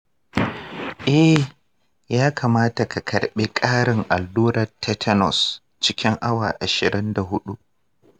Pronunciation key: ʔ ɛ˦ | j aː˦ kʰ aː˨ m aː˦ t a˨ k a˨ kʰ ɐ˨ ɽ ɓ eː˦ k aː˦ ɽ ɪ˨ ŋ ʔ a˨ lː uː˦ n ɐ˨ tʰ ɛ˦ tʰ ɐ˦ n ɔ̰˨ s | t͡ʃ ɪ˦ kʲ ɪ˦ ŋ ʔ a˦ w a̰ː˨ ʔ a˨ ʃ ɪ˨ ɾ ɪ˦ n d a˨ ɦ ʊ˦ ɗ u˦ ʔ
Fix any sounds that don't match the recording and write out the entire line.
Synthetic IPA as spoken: ʔ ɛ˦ | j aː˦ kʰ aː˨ m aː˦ t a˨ k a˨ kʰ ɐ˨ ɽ ɓ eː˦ kʼ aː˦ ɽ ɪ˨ ŋ ʔ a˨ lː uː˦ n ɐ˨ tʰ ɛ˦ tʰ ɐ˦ n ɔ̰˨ s | t͡ʃ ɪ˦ kʲ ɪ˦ ŋ ʔ a˦ w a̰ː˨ ʔ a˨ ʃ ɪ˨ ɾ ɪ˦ n d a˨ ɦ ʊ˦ ɗ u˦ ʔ